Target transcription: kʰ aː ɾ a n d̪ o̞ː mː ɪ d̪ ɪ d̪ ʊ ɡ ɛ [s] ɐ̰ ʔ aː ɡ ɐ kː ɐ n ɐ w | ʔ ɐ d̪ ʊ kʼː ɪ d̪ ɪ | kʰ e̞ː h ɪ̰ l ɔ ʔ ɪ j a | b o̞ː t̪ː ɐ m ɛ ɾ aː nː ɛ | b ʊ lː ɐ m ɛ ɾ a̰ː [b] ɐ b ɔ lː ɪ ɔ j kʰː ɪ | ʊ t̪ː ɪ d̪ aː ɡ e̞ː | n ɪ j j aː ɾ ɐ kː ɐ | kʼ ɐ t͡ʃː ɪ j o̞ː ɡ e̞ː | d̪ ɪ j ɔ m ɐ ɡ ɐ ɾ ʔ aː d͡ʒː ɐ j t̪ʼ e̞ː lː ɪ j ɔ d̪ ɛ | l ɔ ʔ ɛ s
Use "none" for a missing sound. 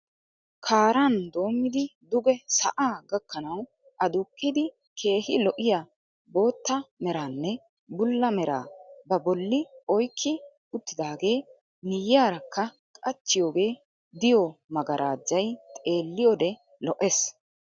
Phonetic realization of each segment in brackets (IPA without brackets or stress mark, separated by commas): s, b